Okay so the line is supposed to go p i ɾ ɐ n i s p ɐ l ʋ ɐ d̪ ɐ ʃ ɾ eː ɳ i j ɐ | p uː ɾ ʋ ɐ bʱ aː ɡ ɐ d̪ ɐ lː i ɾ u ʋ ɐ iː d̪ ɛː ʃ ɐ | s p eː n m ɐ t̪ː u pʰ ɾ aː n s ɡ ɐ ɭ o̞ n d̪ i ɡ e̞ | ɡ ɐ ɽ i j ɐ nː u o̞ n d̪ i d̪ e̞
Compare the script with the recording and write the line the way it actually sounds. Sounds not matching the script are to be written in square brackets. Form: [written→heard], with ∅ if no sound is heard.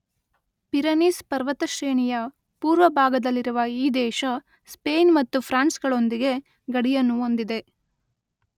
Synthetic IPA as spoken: p i ɾ ɐ n i s p ɐ [l→ɾ] ʋ ɐ [d̪→t̪] ɐ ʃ ɾ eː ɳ i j ɐ | p uː ɾ ʋ ɐ bʱ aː ɡ ɐ d̪ ɐ lː i ɾ u ʋ ɐ iː d̪ ɛː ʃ ɐ | s p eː n m ɐ t̪ː u pʰ ɾ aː n s ɡ ɐ ɭ o̞ n d̪ i ɡ e̞ | ɡ ɐ ɽ i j ɐ nː u o̞ n d̪ i d̪ e̞